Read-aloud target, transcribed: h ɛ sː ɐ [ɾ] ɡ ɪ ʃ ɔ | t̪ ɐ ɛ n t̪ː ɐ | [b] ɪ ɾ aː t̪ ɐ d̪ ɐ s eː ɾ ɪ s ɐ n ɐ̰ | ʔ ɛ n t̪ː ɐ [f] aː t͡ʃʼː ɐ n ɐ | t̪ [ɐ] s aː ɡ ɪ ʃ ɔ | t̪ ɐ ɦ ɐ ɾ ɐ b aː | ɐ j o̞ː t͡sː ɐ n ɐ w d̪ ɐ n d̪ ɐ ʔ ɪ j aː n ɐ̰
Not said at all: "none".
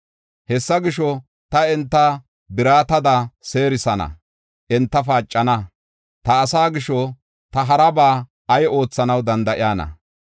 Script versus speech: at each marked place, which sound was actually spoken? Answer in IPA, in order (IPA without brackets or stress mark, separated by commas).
none, b, f, ɐː